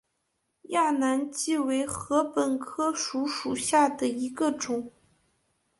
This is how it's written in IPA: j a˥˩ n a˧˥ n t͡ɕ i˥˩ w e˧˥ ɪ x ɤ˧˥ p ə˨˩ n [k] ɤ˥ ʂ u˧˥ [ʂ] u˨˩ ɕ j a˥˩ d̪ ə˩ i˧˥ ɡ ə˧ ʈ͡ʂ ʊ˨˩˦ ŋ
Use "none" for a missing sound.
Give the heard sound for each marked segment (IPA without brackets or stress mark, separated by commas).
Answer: kʰ, ʂ